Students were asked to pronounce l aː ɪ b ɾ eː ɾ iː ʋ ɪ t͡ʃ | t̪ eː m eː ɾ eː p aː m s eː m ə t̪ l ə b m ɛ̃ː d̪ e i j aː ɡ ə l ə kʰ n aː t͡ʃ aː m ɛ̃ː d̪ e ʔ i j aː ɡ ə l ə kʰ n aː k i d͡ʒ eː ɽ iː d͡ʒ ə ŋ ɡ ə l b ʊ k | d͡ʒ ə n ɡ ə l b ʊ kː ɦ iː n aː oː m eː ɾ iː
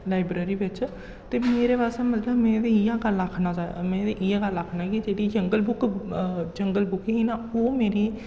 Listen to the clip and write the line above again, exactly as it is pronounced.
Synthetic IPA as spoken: l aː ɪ b ɾ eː ɾ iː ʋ ɪ t͡ʃ | t̪ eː m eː ɾ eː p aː s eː m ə t̪ l ə b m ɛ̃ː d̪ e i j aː ɡ ə l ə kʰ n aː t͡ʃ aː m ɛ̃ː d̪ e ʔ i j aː ɡ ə l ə kʰ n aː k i d͡ʒ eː ɽ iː d͡ʒ ə ŋ ɡ ə l b ʊ k | d͡ʒ ə ŋ ɡ ə l b ʊ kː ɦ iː n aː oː m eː ɾ iː